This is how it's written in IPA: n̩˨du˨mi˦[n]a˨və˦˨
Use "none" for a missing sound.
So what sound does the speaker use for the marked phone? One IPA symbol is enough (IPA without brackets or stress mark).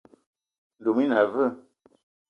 n